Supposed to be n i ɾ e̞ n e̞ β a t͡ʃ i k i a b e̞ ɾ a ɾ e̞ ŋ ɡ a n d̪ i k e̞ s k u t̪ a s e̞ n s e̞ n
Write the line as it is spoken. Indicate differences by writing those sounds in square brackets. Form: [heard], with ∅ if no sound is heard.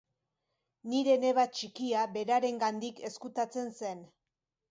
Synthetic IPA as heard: n i ɾ e̞ n e̞ β a t͡ʃ i k i a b e̞ ɾ a ɾ e̞ ŋ ɡ a n d̪ i k e̞ s k u t̪ a [t͡s] e̞ n s e̞ n